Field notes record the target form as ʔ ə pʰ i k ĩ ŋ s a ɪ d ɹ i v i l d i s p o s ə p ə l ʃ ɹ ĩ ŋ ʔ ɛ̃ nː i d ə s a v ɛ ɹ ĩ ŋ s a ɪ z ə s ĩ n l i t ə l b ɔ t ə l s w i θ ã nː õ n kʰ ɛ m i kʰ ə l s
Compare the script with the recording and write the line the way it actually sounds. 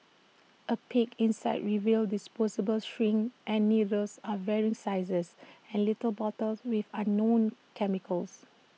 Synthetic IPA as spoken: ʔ ə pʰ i k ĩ n s a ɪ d ɹ i v i l d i s p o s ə b ə l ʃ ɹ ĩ ŋ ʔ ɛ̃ nː i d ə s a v ɛ ɹ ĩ ŋ s a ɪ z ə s ɛ̃ n l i t ə l b ɔ t ə l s w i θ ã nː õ n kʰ ɛ m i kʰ ə l s